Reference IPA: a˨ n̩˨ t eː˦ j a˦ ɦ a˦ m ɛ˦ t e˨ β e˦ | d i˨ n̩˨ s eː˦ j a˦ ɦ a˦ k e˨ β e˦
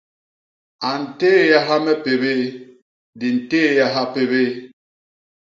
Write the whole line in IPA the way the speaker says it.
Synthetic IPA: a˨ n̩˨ t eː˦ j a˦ ɦ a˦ m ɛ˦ p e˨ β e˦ | d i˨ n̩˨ t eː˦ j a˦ ɦ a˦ p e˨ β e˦